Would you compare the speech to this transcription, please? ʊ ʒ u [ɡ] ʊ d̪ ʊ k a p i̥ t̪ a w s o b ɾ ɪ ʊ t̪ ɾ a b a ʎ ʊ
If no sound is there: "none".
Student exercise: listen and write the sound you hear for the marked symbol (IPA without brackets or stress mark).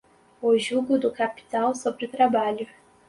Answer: ɡ